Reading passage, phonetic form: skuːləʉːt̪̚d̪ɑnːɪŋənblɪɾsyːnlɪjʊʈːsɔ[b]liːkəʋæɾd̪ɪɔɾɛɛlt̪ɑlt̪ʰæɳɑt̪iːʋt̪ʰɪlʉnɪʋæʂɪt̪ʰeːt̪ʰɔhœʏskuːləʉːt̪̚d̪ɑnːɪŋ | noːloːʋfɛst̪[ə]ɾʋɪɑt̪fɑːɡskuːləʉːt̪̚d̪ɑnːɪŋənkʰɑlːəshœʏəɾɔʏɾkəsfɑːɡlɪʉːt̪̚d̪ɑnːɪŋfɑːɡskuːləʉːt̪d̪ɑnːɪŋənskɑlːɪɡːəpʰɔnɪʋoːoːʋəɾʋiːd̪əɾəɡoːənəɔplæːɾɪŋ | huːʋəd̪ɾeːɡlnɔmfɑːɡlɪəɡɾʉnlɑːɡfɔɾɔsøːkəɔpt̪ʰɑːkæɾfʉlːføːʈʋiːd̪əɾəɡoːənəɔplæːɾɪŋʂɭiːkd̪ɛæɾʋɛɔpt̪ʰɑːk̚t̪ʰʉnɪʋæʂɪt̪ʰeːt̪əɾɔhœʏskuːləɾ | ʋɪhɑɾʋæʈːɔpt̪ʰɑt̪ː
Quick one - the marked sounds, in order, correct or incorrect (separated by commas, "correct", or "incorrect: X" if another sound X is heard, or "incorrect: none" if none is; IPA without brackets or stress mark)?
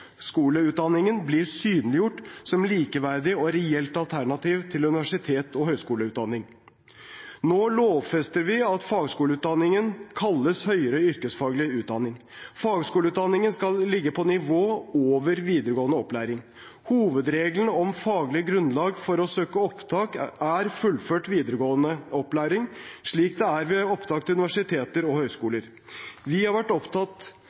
incorrect: m, correct